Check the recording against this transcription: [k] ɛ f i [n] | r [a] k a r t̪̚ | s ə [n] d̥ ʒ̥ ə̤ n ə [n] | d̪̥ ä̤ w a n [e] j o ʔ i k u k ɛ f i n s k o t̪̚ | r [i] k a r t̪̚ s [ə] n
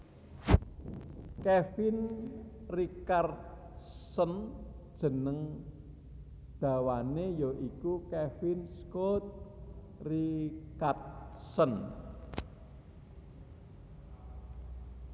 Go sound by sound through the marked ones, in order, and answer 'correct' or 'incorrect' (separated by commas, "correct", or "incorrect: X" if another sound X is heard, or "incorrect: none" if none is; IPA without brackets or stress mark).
correct, correct, incorrect: i, correct, incorrect: ŋ, correct, correct, correct